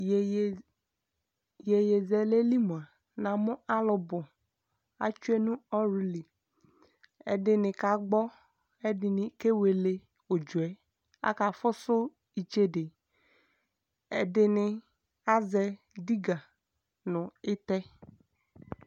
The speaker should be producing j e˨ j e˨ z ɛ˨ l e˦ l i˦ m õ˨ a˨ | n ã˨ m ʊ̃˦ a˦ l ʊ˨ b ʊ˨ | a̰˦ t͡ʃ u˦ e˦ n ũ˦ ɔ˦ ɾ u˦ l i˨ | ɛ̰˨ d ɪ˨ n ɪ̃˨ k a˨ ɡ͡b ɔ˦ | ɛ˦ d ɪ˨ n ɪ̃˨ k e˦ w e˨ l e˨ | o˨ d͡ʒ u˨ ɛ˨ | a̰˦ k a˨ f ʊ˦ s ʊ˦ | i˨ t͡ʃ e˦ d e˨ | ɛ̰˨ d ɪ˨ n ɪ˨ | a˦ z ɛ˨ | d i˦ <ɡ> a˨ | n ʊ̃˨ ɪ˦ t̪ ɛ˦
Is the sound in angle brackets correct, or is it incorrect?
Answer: correct